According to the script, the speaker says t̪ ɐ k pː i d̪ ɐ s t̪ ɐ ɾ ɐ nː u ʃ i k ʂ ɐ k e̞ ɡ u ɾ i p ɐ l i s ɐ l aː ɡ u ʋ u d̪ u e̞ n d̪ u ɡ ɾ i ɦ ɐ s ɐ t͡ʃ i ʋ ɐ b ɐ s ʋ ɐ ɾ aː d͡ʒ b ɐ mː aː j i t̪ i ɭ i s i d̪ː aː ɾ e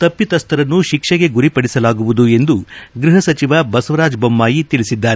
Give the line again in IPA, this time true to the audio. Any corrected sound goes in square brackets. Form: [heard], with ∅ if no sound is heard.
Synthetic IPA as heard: t̪ ɐ [∅] pː i [t̪] ɐ s t̪ ɐ ɾ ɐ nː u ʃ i k ʂ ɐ [ɡ] e̞ ɡ u ɾ i p ɐ [ɽ] i s ɐ l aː ɡ u ʋ u d̪ u e̞ n d̪ u ɡ ɾ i ɦ ɐ s ɐ t͡ʃ i ʋ ɐ b ɐ s ʋ ɐ ɾ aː d͡ʒ b ɐ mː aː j i t̪ i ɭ i s i d̪ː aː ɾ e